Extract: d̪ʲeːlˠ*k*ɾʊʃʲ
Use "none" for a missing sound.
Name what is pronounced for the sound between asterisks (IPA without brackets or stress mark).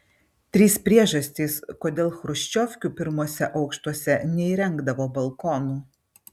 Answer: x